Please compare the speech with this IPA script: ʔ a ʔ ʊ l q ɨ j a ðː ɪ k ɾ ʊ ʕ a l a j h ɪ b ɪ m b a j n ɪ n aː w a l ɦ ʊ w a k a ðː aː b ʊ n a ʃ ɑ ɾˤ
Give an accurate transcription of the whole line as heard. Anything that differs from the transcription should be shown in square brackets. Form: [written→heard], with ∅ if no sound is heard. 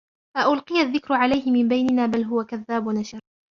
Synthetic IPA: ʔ a ʔ ʊ l q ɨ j a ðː ɪ k ɾ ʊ ʕ a l a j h ɪ [b→m] ɪ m b a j n ɪ n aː [w→b] a l ɦ ʊ w a k a ðː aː b ʊ n a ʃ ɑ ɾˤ